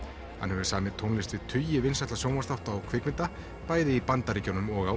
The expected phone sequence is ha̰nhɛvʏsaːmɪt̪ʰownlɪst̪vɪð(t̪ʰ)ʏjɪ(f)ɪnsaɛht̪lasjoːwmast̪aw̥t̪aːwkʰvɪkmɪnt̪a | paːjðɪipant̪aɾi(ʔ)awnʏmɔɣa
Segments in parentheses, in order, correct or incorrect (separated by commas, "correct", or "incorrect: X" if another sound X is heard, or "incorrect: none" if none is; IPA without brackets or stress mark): correct, incorrect: v, incorrect: c